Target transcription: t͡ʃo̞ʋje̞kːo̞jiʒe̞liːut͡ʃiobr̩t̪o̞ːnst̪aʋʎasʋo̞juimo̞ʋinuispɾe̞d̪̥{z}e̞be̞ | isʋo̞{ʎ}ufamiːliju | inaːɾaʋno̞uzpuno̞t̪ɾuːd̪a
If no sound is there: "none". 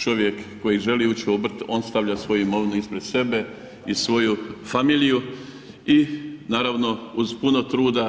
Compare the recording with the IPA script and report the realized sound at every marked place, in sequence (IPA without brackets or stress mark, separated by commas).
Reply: s, j